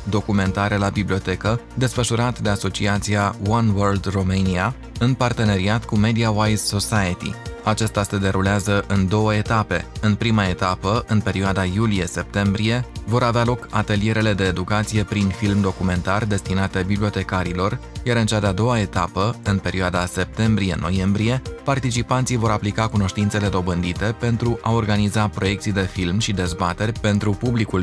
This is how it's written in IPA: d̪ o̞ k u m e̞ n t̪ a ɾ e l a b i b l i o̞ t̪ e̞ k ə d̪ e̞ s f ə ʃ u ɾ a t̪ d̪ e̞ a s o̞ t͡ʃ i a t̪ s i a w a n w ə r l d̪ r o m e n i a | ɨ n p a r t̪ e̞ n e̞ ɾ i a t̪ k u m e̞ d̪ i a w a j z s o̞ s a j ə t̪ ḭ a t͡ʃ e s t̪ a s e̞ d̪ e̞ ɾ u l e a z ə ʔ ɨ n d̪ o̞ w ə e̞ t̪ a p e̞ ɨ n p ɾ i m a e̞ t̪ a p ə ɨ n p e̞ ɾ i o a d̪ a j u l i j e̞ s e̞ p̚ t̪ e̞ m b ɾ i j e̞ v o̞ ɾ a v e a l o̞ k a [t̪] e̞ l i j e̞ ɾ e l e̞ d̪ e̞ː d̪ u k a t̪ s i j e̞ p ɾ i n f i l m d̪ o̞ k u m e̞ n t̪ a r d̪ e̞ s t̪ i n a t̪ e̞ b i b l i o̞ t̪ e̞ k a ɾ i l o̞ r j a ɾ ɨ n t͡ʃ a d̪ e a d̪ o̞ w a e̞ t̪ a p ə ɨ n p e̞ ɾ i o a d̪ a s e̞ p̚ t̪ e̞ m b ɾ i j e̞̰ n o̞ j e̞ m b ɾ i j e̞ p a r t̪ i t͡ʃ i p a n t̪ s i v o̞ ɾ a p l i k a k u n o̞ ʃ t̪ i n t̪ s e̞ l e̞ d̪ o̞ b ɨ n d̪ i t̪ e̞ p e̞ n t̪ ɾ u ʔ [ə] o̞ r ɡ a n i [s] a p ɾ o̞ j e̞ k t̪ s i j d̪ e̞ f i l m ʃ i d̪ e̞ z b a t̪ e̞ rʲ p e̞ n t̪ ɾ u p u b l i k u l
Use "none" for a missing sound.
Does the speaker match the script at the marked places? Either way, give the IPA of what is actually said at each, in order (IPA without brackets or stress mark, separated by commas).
t̪, a, z